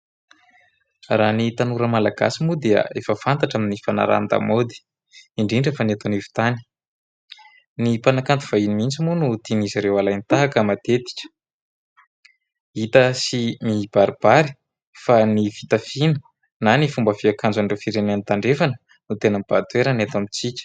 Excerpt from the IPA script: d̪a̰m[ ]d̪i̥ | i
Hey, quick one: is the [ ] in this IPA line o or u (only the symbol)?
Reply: o